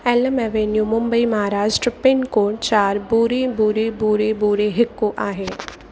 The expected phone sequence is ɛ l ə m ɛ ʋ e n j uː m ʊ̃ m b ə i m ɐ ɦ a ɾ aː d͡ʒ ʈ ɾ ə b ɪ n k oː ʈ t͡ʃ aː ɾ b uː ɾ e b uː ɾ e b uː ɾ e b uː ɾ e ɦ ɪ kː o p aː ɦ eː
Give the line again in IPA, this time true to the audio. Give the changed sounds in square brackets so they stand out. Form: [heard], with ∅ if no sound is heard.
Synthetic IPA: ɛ l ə m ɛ ʋ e n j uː m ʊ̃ m b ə i m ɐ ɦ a ɾ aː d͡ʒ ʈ ɾ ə [p] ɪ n k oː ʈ t͡ʃ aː ɾ b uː ɾ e b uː ɾ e b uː ɾ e b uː ɾ e ɦ ɪ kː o [ʔ] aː ɦ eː